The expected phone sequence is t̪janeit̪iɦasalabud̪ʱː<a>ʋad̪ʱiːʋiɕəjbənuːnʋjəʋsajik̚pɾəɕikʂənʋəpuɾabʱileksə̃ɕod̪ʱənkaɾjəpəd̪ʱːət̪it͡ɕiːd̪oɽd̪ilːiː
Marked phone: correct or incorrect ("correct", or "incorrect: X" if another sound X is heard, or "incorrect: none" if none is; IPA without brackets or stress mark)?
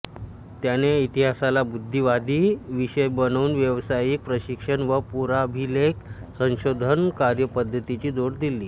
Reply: incorrect: i